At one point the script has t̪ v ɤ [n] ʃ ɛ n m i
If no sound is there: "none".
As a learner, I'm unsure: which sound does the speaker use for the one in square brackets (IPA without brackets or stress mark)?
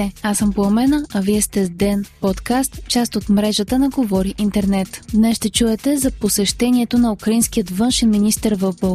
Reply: n